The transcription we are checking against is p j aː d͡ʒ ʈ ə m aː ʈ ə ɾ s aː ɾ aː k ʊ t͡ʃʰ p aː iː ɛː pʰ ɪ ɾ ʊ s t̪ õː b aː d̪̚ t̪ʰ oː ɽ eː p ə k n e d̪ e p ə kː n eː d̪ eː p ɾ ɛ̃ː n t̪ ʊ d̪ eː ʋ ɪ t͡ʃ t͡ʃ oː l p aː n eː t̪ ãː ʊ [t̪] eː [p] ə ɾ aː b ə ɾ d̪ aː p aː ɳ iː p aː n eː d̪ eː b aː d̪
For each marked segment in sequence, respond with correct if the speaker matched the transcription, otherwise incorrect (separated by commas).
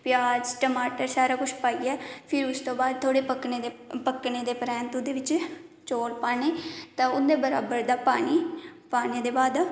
incorrect, incorrect